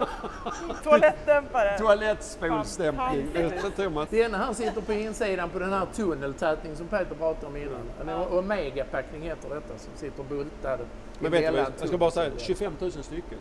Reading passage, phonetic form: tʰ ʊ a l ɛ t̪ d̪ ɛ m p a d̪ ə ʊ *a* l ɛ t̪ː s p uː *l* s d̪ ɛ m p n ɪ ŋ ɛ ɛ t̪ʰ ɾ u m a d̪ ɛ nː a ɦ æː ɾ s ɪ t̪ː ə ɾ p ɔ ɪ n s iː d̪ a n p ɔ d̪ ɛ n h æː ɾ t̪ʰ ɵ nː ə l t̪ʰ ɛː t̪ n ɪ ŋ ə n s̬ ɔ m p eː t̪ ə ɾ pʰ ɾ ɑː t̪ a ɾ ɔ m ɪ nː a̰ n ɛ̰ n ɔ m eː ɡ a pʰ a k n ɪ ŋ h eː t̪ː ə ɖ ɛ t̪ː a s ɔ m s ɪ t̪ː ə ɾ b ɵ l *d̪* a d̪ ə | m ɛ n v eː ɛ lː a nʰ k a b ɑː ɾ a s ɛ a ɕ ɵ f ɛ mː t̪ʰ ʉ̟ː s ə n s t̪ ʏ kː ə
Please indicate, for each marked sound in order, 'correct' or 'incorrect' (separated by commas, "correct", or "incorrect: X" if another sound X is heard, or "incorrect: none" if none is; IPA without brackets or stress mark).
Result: correct, correct, incorrect: t̪